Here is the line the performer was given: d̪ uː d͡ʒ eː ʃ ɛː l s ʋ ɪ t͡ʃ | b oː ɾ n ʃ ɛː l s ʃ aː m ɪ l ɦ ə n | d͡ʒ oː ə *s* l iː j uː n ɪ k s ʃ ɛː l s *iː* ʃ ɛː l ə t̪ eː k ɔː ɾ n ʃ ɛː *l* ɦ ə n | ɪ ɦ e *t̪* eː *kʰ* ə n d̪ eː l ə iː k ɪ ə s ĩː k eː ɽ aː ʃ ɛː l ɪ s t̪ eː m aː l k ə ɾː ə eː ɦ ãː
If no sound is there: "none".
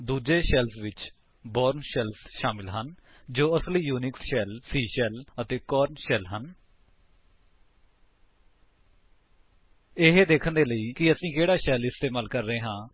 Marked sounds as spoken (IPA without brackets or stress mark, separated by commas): s, iː, l, d̪, kʰ